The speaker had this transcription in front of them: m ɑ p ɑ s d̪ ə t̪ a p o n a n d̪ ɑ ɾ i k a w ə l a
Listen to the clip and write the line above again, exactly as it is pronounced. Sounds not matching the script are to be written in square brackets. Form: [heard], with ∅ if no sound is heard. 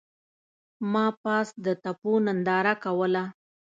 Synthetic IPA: m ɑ p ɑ s d̪ ə t̪ a p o n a n d̪ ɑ ɾ [a] k a w ə l a